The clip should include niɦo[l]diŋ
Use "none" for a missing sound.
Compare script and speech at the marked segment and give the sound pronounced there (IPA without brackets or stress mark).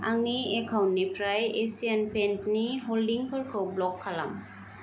l